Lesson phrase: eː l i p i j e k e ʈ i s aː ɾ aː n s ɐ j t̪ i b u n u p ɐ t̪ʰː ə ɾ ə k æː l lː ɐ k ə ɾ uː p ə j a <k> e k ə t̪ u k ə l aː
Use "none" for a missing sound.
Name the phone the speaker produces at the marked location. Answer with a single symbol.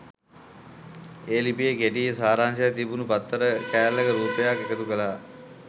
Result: k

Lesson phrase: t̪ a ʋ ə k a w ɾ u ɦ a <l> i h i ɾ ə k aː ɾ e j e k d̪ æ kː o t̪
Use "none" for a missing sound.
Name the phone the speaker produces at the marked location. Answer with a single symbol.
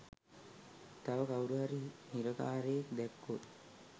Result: ɾ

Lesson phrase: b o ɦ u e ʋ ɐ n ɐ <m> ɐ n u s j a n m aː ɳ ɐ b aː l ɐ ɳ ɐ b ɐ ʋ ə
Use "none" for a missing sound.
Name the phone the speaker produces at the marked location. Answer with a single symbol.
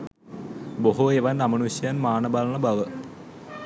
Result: m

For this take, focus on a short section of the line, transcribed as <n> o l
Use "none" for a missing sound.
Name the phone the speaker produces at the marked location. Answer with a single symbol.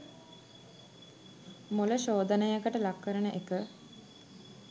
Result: m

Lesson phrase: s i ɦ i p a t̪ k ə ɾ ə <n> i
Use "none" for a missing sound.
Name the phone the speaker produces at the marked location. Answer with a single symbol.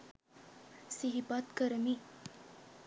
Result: m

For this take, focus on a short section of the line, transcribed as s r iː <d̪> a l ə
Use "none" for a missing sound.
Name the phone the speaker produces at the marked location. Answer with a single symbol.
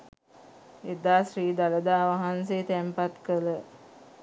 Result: d̪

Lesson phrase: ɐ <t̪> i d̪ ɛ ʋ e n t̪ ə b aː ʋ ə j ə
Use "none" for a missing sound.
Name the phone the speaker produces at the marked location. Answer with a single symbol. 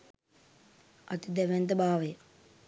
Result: t̪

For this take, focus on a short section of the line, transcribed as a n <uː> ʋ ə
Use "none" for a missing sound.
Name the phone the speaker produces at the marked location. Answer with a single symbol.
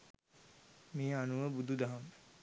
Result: u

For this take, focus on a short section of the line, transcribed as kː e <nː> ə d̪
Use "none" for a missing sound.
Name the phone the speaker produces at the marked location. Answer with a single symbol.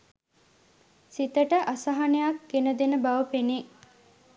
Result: n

